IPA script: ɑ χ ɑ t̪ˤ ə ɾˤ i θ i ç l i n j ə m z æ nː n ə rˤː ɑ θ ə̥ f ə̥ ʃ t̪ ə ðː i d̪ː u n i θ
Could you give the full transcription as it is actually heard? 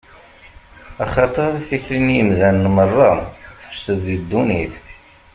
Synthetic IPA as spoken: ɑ χ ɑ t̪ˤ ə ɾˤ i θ i ç l i n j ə m ð æ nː m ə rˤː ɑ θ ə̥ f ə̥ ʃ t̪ ə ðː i d̪ː u n i θ